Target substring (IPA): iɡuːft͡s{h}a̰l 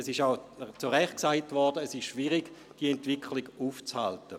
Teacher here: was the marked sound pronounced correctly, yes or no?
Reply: yes